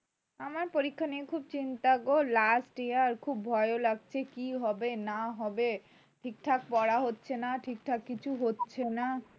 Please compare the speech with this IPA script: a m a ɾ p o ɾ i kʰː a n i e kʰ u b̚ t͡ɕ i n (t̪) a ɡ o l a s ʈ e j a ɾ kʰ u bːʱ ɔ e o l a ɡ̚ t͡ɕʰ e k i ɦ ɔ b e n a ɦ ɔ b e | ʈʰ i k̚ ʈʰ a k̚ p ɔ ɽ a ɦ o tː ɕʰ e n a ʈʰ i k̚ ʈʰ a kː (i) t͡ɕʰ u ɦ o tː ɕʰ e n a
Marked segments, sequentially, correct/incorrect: correct, correct

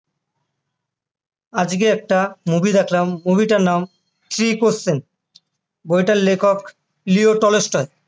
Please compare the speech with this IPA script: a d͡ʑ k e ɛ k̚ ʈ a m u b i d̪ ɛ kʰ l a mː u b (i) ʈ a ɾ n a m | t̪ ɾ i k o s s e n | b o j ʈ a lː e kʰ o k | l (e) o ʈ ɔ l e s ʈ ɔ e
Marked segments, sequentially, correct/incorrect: correct, incorrect

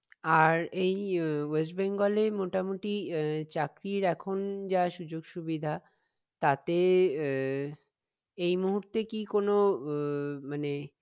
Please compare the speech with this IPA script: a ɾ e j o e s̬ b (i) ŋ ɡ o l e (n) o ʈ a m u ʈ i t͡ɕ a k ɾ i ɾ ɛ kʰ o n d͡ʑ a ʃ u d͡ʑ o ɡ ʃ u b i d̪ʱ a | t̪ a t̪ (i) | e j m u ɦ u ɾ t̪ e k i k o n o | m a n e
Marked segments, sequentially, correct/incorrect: incorrect, incorrect, incorrect

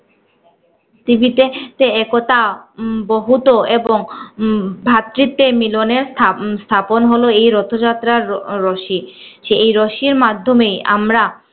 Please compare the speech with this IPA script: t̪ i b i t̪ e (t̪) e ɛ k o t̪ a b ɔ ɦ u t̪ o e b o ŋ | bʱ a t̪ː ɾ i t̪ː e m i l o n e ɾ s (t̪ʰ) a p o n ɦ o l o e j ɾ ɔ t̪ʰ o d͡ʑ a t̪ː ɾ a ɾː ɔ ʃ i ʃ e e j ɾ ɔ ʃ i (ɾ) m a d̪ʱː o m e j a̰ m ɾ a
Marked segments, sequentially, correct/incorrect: correct, correct, correct

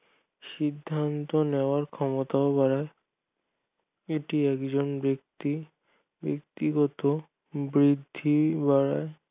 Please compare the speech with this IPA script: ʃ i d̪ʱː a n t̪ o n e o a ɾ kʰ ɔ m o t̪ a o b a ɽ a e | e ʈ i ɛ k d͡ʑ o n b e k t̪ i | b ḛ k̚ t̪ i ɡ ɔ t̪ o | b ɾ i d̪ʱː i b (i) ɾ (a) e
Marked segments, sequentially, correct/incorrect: incorrect, correct

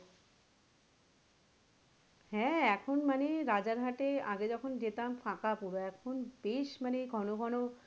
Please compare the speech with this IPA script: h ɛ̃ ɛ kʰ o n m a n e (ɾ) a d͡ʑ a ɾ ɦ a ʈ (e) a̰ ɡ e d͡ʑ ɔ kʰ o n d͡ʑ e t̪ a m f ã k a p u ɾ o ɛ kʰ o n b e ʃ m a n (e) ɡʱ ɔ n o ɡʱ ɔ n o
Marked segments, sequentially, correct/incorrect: correct, correct, correct

